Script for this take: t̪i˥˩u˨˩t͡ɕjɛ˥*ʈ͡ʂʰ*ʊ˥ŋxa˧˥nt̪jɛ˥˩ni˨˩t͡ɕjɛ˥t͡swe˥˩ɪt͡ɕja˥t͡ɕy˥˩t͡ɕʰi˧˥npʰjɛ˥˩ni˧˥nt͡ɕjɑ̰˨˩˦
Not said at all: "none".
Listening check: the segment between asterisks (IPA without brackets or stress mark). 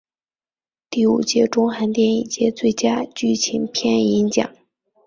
ʈ͡ʂ